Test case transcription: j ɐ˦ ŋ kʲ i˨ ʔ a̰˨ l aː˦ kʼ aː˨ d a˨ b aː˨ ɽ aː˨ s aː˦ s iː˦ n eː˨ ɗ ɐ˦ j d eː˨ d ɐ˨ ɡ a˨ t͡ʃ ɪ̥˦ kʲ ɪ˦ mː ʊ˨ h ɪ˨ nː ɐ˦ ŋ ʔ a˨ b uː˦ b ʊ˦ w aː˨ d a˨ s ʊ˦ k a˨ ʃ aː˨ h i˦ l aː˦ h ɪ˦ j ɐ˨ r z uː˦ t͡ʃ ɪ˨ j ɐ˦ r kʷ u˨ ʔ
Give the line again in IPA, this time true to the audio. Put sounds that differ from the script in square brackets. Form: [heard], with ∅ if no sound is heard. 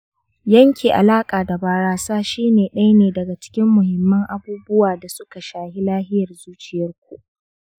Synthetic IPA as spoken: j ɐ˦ ŋ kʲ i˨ ʔ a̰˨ l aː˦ kʼ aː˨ d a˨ b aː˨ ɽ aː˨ s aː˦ [ʃ] iː˦ n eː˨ ɗ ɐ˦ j [n] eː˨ d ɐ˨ ɡ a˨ t͡ʃ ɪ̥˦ kʲ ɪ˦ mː ʊ˨ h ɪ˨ [mː] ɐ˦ ŋ ʔ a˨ b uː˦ b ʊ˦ w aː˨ d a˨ s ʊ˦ k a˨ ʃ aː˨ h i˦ l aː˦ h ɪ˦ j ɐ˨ r z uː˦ t͡ʃ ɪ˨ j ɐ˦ r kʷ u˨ ʔ

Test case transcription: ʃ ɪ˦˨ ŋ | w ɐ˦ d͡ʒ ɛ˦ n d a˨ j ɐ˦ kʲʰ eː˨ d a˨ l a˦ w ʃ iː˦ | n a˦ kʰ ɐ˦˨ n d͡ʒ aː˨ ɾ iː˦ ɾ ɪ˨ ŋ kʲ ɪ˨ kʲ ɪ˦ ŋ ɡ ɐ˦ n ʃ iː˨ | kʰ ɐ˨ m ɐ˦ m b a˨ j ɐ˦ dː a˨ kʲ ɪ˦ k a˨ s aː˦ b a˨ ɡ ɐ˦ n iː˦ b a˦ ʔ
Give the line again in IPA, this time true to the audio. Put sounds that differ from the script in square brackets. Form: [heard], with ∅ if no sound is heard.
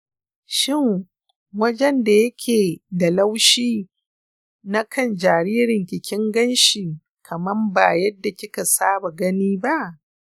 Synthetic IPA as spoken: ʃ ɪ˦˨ ŋ | w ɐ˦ d͡ʒ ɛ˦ n d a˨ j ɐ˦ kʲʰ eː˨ d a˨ l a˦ w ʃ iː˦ | n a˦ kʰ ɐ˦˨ n d͡ʒ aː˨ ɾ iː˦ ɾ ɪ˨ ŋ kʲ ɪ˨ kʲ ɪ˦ ŋ ɡ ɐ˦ n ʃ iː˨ | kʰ ɐ˨ m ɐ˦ m b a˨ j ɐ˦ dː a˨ kʲ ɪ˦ k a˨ s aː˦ b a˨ ɡ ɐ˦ n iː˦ b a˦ ʔ

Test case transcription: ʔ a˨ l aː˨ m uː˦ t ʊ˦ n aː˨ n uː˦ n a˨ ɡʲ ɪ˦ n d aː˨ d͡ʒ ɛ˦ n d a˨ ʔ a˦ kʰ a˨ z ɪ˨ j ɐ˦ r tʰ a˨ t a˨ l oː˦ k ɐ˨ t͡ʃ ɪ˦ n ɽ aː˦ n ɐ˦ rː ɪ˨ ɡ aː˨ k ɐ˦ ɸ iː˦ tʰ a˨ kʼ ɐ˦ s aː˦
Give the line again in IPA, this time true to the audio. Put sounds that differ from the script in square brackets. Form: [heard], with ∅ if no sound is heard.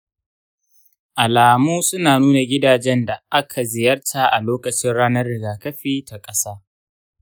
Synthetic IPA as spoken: ʔ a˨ l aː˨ m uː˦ [s] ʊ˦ n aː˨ n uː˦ n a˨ ɡʲ ɪ˦ [∅] d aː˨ d͡ʒ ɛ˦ n d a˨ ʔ a˦ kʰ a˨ z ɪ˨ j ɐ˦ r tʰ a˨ [ʔ] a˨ l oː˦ k ɐ˨ t͡ʃ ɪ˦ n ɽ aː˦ n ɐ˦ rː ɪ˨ ɡ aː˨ k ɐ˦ ɸ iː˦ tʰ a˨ kʼ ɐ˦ s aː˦

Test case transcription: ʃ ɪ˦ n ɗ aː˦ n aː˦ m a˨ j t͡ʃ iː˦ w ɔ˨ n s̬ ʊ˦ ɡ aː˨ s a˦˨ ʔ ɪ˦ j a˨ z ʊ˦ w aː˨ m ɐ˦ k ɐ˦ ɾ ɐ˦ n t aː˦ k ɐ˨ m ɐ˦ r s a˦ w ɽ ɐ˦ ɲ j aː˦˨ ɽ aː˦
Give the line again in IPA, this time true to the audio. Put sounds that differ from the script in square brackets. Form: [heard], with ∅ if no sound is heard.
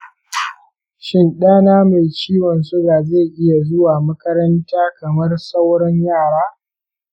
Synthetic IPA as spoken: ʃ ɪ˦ n ɗ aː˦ n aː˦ m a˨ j t͡ʃ iː˦ w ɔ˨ n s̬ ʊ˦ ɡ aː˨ [z] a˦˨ ʔ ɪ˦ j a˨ z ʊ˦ w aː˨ m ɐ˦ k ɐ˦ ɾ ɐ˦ n t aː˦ k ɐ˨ m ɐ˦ r s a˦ w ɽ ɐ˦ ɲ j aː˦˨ ɽ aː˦

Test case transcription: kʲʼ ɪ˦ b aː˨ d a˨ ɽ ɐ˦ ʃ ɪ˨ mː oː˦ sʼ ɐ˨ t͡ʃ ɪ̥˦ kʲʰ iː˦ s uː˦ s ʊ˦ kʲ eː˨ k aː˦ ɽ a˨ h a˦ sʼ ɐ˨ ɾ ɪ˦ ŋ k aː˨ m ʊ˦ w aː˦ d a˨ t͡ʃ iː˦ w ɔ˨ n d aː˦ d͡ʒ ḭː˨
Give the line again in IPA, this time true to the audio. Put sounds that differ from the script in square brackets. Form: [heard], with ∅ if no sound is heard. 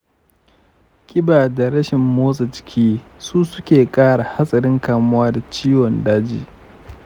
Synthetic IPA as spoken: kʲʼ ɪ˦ b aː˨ d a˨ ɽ ɐ˦ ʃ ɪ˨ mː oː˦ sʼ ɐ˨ t͡ʃ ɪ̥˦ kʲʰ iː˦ s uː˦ s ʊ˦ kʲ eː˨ [kʼ] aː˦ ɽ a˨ h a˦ sʼ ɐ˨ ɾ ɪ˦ ŋ k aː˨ m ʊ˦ w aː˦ d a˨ t͡ʃ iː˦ w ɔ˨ n d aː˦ d͡ʒ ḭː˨

